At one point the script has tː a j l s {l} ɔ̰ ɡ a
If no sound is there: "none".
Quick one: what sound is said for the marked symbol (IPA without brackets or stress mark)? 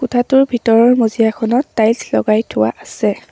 l